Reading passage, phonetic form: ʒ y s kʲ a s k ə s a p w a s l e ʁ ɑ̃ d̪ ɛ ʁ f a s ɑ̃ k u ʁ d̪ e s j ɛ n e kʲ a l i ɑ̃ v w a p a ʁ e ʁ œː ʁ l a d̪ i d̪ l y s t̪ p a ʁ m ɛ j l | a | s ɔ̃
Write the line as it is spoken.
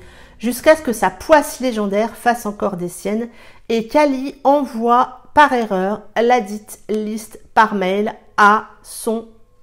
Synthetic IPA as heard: ʒ y s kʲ a s k ə s a p w a s l e ʒ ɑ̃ d̪ ɛ ʁ f a s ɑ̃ k ɔ ʁ d̪ e s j ɛ n e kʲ a l i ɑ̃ v w a p a ʁ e ʁ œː ʁ l a d̪ i t̪ l i s t̪ p a ʁ m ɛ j l | a | s ɔ̃